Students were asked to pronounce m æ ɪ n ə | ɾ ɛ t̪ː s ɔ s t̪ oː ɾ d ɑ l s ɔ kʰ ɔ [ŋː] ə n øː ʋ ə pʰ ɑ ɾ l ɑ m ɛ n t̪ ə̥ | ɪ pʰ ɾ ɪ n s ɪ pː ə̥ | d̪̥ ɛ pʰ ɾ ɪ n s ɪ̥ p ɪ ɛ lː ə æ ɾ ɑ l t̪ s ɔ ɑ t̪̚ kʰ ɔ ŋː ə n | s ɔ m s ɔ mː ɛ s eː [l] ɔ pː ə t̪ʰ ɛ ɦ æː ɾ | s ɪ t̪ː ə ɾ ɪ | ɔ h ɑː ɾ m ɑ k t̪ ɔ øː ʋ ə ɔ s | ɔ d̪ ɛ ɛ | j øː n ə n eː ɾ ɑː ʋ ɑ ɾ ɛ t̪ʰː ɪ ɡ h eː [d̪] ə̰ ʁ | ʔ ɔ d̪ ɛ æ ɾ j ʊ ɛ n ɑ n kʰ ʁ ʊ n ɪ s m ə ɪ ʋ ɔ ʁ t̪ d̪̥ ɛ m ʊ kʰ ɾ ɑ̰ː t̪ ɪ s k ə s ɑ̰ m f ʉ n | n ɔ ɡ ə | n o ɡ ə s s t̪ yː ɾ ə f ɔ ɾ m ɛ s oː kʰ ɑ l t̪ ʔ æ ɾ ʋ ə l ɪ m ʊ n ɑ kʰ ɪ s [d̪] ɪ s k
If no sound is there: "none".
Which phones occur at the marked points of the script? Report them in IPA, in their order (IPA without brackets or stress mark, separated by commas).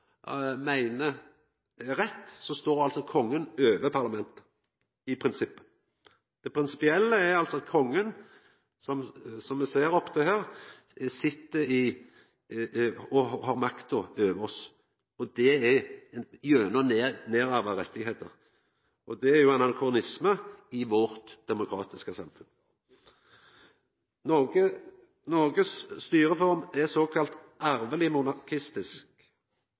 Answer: ŋː, ɾ, t̪, t̪